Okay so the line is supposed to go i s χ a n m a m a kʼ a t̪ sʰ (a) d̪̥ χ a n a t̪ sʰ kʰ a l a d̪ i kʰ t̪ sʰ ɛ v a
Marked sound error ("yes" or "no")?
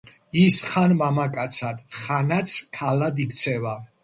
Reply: no